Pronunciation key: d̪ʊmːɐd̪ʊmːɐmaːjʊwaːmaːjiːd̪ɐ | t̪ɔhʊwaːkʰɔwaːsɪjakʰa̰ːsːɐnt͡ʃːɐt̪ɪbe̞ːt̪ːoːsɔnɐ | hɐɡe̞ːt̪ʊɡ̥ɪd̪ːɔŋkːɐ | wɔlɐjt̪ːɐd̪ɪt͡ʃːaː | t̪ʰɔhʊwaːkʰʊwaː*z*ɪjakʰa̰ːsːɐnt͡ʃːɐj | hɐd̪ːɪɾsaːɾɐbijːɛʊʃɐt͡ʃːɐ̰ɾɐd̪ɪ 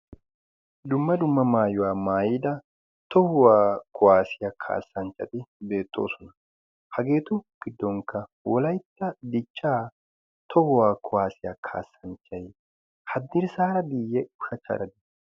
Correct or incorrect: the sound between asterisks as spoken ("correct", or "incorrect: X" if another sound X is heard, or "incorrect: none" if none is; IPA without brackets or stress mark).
incorrect: s